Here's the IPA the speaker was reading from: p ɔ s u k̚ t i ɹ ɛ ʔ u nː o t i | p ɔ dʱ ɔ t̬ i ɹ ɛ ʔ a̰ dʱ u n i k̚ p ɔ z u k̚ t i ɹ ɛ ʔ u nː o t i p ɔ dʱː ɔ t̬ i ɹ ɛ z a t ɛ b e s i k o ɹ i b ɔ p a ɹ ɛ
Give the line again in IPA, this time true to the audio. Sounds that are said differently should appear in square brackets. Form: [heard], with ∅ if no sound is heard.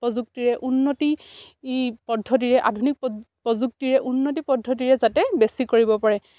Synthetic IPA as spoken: p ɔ [z] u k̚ t i ɹ ɛ ʔ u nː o t i | p ɔ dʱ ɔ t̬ i ɹ ɛ ʔ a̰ dʱ u n i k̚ p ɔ z u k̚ t i ɹ ɛ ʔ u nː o t i p ɔ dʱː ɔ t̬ i ɹ ɛ z a t ɛ b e s i k o ɹ i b ɔ p a ɹ ɛ